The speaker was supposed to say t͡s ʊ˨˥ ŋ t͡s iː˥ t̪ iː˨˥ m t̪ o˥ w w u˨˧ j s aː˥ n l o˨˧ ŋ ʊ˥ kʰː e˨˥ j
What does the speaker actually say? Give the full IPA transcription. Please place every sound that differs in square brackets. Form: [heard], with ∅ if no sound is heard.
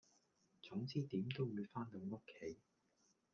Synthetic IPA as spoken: t͡s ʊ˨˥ ŋ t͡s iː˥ t̪ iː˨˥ m t̪ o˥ w w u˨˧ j [f] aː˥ n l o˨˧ ŋ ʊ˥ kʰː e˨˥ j